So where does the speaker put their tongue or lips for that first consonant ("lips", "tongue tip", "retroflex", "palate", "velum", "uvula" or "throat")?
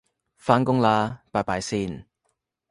lips